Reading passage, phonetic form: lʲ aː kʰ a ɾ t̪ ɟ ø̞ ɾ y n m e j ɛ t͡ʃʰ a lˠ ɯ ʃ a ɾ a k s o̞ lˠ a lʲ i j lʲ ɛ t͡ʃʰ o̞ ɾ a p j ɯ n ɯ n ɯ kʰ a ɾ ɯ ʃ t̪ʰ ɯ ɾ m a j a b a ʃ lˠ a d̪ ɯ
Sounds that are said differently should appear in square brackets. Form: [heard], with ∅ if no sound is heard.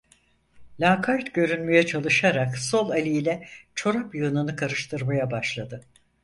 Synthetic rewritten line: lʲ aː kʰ a ɾ t̪ ɟ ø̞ ɾ y n m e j ɛ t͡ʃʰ a lˠ ɯ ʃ a ɾ a k s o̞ lˠ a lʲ i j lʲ ɛ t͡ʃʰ o̞ ɾ a p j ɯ n ɯ n ɯ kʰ a ɾ ɯ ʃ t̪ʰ ɯ ɾ m a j a b a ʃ lˠ a d̪ ɯ